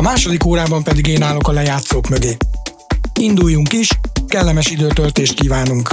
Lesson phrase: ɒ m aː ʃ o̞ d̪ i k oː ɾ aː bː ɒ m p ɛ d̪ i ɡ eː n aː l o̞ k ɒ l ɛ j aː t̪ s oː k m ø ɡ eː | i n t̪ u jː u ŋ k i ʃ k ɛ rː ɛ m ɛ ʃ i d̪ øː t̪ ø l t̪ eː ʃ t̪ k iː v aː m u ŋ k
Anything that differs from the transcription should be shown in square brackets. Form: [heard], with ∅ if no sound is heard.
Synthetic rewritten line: ɒ m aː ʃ o̞ d̪ i k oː ɾ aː [b] ɒ m p ɛ d̪ i ɡ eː n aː l o̞ k ɒ l ɛ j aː t̪ s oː k m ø ɡ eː | i n [d̪] u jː u ŋ k i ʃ k ɛ [lː] ɛ m ɛ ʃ i d̪ øː t̪ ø l t̪ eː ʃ t̪ k iː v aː [n] u ŋ k